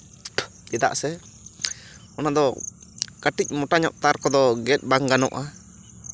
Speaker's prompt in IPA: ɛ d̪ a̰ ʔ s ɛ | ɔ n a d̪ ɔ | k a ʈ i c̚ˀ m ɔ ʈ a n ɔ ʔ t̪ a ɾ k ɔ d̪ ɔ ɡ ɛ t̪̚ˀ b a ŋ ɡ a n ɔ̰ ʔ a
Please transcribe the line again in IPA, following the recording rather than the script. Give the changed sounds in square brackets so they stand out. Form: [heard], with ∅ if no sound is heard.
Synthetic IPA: ɛ d̪ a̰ ʔ s ɛ | ɔ n a d̪ ɔ | k a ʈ i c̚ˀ m ɔ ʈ a [ɲ] ɔ ʔ t̪ a ɾ k ɔ d̪ ɔ ɡ ɛ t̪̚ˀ b a ŋ ɡ a n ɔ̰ ʔ a